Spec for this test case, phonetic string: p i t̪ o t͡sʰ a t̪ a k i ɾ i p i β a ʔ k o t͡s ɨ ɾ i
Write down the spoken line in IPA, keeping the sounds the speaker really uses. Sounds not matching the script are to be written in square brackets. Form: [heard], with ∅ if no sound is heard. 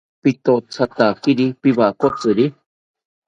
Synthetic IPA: p i t̪ o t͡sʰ a t̪ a k i ɾ i p i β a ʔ k o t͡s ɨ ɾ i